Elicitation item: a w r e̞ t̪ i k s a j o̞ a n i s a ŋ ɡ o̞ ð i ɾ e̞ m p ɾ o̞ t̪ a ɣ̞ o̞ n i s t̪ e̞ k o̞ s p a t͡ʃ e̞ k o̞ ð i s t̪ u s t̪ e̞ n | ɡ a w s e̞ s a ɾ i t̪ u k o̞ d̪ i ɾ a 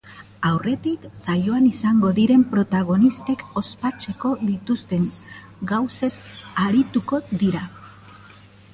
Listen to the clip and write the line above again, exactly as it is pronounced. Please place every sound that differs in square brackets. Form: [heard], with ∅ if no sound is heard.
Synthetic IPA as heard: a w r e̞ t̪ i k s a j o̞ a n i s a ŋ ɡ o̞ ð i ɾ e̞ m p ɾ o̞ t̪ a ɣ̞ o̞ n i s t̪ e̞ k o̞ s p a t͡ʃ e̞ k o̞ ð i [∅] t̪ u s t̪ e̞ [ŋ] | ɡ a w s e̞ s a ɾ i t̪ u k o̞ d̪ i ɾ a